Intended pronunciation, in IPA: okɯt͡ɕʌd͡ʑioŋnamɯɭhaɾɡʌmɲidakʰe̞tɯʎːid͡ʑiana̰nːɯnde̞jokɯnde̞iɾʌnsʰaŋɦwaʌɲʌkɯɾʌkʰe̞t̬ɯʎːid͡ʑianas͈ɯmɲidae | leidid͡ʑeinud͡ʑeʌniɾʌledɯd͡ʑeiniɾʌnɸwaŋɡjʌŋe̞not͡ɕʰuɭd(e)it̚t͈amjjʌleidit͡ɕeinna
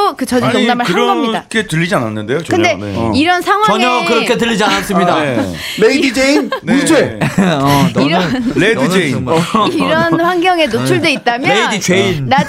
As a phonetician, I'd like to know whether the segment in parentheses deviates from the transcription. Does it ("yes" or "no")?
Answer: no